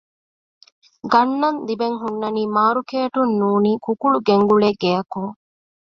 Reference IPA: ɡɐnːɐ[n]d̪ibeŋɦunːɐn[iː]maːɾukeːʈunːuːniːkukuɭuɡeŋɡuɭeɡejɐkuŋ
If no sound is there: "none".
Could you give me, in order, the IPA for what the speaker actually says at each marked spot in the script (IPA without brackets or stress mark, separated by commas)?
n, iː